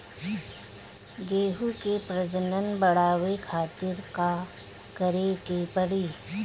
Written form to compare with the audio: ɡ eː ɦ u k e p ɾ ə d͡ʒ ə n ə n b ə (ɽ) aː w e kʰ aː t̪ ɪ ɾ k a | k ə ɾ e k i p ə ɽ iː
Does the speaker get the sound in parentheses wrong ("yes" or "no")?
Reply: no